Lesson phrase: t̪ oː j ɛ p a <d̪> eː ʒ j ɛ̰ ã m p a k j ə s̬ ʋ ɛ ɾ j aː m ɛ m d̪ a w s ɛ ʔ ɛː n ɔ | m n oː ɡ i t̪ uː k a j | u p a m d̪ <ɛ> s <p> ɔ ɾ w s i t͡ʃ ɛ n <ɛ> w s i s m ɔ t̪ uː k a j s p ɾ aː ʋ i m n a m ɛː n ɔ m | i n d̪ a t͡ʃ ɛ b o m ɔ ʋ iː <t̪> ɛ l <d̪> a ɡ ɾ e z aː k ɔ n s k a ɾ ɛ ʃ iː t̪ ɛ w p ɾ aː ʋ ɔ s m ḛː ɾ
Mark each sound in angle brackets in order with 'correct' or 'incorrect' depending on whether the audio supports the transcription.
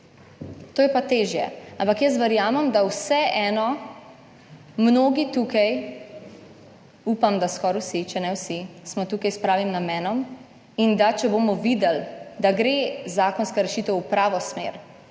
incorrect: t̪, incorrect: a, incorrect: k, correct, incorrect: d̪, correct

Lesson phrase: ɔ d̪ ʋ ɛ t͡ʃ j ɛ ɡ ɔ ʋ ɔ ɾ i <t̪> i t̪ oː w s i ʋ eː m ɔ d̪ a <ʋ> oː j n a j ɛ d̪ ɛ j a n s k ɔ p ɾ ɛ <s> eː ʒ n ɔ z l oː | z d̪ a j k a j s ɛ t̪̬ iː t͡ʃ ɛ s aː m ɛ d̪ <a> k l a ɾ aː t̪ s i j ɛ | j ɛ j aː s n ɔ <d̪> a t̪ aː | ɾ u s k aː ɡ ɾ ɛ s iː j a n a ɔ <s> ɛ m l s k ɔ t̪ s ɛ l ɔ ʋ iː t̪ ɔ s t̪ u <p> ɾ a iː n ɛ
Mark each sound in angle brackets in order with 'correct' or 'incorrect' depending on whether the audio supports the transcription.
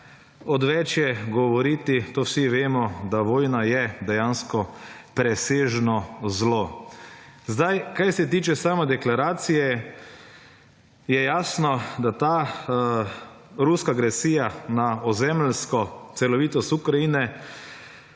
correct, correct, correct, incorrect: ɛ, correct, incorrect: z, incorrect: k

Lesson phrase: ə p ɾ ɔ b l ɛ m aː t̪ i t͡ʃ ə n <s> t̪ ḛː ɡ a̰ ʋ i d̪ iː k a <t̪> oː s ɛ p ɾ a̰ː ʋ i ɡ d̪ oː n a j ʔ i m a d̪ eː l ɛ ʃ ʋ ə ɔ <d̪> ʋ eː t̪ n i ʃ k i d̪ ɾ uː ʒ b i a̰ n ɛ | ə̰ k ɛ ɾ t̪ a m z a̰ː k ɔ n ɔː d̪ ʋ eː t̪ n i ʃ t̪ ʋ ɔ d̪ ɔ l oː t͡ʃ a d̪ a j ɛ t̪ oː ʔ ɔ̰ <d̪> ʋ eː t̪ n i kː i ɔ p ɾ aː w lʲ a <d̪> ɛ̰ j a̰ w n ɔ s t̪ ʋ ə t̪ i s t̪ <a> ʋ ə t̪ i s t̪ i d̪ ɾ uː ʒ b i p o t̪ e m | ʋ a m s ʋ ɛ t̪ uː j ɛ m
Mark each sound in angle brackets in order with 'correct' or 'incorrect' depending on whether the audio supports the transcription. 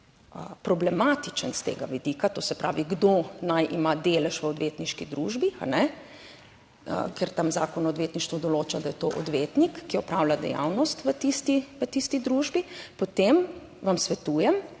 correct, correct, correct, correct, correct, incorrect: i

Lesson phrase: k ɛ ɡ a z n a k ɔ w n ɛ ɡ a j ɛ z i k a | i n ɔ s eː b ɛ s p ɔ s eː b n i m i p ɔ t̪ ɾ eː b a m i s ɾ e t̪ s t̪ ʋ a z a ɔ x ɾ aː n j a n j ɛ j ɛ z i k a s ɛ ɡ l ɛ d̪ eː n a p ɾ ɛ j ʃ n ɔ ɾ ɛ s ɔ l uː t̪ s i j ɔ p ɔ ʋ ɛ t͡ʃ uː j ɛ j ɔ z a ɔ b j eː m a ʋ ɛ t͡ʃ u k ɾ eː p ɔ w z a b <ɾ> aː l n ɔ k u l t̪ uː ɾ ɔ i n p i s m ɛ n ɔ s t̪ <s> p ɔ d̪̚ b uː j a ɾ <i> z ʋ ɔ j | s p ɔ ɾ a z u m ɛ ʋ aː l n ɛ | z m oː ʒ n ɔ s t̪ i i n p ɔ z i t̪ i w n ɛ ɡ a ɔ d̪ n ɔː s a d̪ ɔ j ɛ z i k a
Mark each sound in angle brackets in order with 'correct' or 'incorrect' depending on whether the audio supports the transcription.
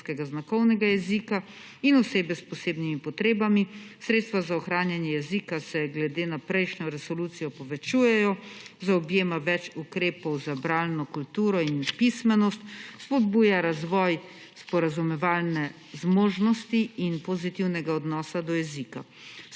correct, correct, incorrect: a

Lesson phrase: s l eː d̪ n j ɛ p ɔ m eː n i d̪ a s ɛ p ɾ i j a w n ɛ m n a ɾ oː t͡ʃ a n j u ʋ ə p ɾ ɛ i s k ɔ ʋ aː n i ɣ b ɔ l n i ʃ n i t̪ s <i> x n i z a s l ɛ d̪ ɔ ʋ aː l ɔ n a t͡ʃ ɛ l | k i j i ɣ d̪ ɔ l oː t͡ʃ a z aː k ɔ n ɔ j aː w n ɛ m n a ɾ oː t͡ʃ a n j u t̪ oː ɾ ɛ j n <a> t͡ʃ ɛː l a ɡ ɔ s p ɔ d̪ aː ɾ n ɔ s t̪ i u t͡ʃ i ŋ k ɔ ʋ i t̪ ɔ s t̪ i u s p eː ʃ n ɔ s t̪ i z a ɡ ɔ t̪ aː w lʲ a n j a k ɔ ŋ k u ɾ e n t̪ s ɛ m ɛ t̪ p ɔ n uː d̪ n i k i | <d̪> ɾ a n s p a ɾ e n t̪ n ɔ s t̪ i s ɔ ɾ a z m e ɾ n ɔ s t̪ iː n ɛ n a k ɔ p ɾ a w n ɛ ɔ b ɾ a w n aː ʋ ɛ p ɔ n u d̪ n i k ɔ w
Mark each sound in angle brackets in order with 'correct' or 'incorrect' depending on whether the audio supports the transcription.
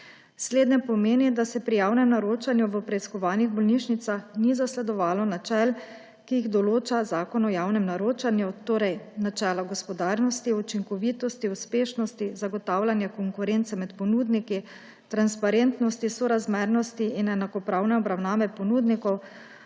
incorrect: a, correct, incorrect: t̪

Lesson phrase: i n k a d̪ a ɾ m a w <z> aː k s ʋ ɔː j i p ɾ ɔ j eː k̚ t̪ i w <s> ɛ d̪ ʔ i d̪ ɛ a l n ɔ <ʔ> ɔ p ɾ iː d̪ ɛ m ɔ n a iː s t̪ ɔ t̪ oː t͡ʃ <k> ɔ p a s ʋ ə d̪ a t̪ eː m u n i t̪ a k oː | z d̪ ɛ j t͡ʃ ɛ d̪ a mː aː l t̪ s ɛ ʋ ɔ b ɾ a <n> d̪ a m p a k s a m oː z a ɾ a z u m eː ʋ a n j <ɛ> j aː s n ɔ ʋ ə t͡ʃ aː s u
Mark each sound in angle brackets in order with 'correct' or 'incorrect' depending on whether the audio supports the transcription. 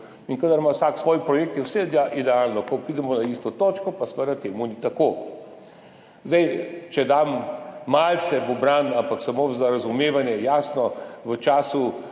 incorrect: s, correct, incorrect: k, correct, correct, correct

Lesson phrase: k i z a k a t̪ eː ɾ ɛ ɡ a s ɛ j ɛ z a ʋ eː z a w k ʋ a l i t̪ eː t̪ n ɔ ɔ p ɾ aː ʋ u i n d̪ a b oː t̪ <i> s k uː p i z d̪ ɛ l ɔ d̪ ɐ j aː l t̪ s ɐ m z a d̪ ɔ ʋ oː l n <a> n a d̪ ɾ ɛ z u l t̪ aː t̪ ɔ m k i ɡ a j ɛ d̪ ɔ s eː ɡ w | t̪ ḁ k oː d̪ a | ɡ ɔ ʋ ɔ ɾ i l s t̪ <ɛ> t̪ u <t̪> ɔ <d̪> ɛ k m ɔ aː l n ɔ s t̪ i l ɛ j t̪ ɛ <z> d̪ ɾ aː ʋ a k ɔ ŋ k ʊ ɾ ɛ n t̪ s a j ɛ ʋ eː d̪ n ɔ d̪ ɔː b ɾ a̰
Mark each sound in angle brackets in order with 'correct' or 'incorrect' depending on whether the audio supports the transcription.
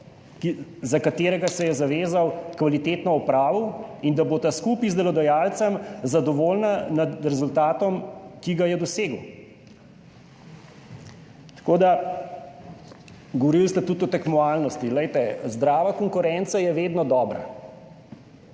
incorrect: a, correct, correct, correct, incorrect: t̪, correct

